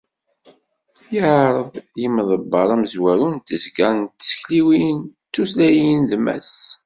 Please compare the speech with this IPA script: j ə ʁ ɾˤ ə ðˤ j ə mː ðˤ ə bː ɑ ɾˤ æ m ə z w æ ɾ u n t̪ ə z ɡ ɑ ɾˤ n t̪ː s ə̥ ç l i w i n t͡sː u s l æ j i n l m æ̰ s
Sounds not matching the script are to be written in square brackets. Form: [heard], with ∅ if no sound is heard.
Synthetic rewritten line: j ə [ʕ] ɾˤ ə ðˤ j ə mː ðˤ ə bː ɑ ɾˤ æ m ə z w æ ɾ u n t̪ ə z ɡ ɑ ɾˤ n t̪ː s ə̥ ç l i w i n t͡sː u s l æ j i n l m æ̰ s